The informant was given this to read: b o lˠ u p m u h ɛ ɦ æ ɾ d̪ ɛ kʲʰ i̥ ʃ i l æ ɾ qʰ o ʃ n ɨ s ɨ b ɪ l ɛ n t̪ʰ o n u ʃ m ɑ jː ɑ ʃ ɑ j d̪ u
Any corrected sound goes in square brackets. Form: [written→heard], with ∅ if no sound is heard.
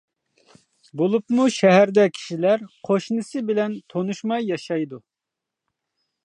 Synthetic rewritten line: b o lˠ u p m u [h→ʃ] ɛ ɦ æ ɾ d̪ ɛ kʲʰ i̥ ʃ i l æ ɾ qʰ o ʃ n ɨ s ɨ b ɪ l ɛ n t̪ʰ o n u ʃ m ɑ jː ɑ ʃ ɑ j d̪ u